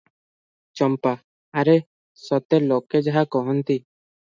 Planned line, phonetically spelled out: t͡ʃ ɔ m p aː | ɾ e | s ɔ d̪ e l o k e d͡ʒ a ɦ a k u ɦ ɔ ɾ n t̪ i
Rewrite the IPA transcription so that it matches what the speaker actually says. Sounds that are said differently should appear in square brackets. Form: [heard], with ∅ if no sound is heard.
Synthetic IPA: t͡ʃ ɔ m p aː | ɾ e | s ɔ [t̪] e l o k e d͡ʒ a ɦ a k [ɔ] ɦ ɔ [∅] n t̪ i